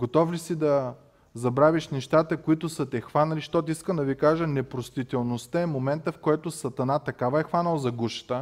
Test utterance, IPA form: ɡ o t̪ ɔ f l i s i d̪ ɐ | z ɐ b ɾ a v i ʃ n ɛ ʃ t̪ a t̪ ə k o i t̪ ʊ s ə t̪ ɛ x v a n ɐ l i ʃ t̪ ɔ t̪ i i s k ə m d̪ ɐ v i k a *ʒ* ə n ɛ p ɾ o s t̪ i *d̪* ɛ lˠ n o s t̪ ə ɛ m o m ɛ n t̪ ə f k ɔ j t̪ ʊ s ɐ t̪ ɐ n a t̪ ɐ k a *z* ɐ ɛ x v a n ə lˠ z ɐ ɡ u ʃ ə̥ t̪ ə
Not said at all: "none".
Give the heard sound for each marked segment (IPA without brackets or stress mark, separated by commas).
ʒ, t̪, v